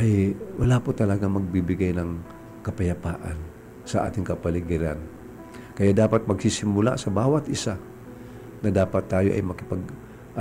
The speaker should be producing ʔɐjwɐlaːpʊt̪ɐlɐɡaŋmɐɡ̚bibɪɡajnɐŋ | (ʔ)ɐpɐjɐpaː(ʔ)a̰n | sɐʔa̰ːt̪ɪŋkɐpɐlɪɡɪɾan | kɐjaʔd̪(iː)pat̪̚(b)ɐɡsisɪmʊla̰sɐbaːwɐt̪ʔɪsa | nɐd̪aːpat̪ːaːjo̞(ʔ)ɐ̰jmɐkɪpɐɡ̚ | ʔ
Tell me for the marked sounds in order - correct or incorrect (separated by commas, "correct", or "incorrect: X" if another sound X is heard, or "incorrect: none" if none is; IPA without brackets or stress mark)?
incorrect: k, correct, incorrect: aː, incorrect: m, correct